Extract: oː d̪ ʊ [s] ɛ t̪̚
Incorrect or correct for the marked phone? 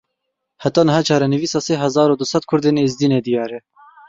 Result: correct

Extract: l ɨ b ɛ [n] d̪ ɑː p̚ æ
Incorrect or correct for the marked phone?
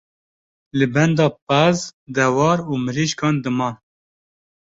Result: correct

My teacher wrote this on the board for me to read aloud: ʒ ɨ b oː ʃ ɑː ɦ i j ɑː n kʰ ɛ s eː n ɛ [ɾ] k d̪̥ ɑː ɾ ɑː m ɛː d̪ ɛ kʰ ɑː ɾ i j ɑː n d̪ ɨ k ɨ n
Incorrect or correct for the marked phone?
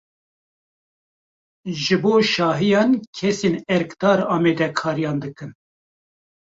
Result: correct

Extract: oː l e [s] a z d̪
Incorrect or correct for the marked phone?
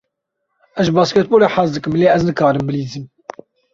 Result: incorrect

